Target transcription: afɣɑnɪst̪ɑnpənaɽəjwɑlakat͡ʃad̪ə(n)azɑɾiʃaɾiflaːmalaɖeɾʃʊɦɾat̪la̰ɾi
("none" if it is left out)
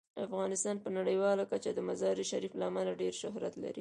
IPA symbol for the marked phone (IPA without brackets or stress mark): m